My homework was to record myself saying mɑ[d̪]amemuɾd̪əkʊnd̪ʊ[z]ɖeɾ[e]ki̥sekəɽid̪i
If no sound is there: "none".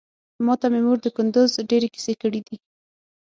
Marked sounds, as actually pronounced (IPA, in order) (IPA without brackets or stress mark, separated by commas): t̪, z, e